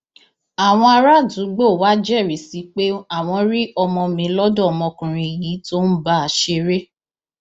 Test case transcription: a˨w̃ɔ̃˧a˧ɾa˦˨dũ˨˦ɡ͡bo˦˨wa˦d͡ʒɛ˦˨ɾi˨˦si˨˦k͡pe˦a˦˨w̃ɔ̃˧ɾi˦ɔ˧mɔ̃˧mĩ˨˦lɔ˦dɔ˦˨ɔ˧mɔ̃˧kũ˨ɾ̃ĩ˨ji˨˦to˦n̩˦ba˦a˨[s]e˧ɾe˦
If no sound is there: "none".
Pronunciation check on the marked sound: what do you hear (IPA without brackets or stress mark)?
ʃ